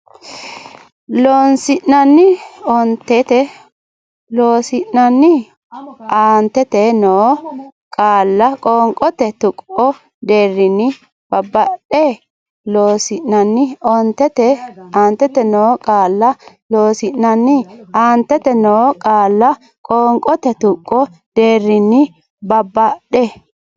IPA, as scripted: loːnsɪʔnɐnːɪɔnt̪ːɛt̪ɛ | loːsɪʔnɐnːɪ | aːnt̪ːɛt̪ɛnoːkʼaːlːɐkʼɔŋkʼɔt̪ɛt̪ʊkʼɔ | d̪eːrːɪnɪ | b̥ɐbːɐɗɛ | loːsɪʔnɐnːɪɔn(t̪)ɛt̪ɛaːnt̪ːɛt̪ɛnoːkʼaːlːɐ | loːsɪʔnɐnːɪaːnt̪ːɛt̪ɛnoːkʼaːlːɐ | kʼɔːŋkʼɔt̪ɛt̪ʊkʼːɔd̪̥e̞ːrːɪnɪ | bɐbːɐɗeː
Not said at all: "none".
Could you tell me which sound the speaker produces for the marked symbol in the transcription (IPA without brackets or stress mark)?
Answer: t̪